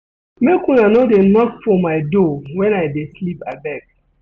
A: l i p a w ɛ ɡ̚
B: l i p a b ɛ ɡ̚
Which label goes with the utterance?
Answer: B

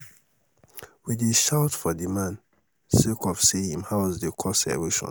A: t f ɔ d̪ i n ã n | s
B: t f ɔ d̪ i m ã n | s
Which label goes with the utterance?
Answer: B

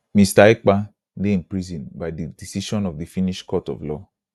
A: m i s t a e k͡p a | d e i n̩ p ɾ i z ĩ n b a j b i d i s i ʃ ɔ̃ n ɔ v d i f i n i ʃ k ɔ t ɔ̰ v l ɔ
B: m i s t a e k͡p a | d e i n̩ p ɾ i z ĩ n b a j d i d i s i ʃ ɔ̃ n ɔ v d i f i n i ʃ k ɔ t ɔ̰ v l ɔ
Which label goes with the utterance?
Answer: B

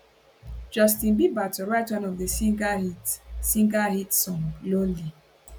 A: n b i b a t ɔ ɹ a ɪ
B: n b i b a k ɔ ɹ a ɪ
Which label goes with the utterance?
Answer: A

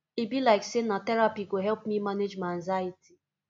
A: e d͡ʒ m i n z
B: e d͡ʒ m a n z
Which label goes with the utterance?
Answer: B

